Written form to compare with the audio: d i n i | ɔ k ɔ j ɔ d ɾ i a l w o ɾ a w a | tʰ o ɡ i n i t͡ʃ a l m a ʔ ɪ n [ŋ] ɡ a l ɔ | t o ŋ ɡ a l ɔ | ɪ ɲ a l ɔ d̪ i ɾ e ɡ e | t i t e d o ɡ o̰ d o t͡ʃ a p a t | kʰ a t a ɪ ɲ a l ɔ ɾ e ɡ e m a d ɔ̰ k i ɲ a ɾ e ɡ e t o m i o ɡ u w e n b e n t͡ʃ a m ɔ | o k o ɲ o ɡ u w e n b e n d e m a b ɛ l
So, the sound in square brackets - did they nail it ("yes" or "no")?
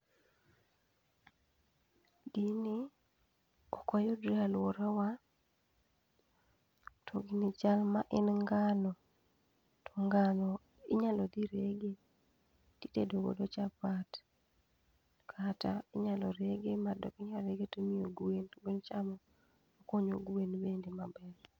yes